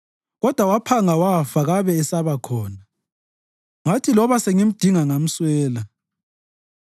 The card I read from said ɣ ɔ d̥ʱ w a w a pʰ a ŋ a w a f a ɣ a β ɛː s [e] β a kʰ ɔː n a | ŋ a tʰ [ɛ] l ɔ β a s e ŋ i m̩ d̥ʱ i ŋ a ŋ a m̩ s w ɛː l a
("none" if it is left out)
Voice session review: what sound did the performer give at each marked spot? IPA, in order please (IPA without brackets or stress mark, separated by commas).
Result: a, i